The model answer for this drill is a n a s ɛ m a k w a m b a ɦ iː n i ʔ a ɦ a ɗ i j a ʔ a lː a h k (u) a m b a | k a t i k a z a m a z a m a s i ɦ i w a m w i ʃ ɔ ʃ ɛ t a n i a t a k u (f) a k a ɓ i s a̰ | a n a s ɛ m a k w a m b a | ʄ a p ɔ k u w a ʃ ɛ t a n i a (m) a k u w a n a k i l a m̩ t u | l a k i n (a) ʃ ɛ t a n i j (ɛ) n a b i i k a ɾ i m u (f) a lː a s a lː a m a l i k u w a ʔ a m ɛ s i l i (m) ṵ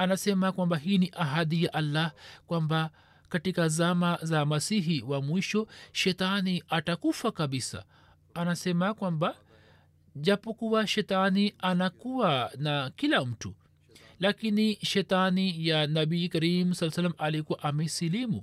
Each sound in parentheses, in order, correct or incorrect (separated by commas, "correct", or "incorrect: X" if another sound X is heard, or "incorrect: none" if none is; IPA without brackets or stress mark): incorrect: w, correct, incorrect: n, incorrect: i, incorrect: a, incorrect: s, correct